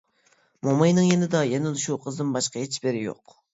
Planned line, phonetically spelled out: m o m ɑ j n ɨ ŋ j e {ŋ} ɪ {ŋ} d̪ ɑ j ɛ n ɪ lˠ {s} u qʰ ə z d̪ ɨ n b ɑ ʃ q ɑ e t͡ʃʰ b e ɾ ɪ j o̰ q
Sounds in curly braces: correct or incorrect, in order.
incorrect: n, incorrect: none, incorrect: ʃ

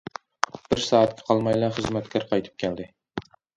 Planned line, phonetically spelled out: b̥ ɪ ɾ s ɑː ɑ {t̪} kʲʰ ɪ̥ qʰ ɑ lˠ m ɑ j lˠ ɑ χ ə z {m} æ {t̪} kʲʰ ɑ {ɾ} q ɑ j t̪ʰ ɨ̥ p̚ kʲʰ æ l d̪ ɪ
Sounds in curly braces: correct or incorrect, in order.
correct, correct, correct, correct

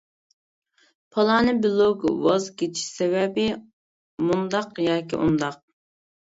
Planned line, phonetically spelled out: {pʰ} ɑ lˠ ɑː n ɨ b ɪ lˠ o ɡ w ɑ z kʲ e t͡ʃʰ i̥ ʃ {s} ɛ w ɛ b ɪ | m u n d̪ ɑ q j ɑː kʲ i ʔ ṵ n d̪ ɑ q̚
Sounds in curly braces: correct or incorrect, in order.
correct, correct

